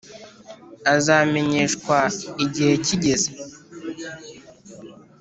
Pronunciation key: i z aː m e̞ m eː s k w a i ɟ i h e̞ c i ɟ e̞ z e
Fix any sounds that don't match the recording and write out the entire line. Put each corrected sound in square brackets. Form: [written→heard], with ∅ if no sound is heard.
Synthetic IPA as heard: [i→a] z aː m e̞ [m→ɲ] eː [s→ʃ] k w a i ɟ i h e̞ c i ɟ e̞ z e